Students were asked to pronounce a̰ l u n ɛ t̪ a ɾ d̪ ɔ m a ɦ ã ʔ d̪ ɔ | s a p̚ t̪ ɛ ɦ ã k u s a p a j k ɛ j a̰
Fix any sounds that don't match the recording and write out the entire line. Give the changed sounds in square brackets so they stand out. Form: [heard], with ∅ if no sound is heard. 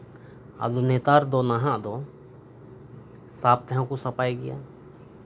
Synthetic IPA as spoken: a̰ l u n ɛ t̪ a ɾ d̪ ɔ [n] a ɦ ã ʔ d̪ ɔ | s a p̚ t̪ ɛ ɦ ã k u s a p a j [ɡ] ɛ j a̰